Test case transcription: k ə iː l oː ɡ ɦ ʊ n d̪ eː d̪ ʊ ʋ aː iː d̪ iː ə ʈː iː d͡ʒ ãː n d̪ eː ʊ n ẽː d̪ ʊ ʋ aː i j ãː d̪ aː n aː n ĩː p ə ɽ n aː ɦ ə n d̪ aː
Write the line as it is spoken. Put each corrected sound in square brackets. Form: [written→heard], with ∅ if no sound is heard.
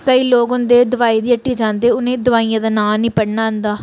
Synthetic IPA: k ə iː l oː ɡ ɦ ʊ n d̪ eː d̪ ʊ ʋ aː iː d̪ iː ə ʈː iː d͡ʒ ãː n d̪ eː ʊ n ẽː d̪ ʊ ʋ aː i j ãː d̪ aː n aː n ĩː p ə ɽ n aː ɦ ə n d̪ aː